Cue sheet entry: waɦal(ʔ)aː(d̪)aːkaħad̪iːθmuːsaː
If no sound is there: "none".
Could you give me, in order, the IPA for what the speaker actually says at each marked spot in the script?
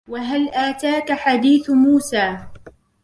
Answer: ʔ, t̪

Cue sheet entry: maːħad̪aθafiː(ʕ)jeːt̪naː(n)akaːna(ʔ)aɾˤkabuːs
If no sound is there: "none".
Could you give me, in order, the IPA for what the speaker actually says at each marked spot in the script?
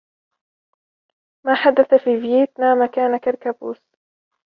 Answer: v, m, k

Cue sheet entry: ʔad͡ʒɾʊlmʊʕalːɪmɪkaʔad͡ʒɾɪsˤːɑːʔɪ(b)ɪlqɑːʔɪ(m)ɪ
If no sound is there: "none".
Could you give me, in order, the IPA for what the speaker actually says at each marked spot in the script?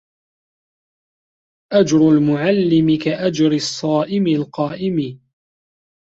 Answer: m, m

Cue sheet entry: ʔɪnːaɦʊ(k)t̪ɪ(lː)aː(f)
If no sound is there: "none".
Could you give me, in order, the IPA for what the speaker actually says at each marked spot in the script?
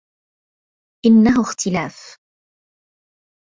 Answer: x, l, f

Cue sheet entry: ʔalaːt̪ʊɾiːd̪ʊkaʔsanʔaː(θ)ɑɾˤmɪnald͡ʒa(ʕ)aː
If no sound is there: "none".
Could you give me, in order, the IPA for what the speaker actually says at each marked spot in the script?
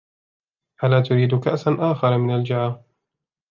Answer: x, ʕ

